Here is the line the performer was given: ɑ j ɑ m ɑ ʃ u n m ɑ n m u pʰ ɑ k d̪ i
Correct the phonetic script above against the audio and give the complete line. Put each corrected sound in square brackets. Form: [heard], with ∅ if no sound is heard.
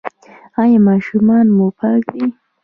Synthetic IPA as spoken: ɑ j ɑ m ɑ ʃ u [∅] m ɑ n m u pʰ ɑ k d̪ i